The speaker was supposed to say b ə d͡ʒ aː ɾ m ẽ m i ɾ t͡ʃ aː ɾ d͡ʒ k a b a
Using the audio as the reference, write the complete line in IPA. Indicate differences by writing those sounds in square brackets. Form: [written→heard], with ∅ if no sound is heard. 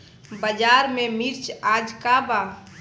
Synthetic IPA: b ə d͡ʒ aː ɾ m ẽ m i ɾ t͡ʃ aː [ɾ→∅] d͡ʒ k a b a